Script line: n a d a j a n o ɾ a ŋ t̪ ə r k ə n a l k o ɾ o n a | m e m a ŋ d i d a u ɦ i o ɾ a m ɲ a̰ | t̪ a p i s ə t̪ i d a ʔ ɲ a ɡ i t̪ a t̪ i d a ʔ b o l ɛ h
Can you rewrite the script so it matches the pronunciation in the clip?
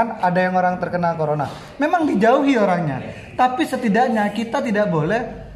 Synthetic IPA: n a d a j a ŋ o ɾ a ŋ t̪ ə r k ə n a l k o ɾ o n a | m e m a ŋ d i d͡ʒ a u ɦ i o ɾ a ŋ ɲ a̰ | t̪ a p i s ə t̪ i d a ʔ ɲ a k i t̪ a t̪ i d a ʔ b o l ɛ h